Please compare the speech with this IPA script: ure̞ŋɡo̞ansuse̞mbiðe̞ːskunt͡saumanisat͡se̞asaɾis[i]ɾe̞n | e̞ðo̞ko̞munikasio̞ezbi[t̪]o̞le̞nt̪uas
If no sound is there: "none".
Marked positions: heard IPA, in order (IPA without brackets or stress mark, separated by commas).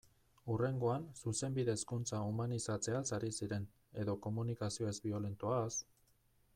i, none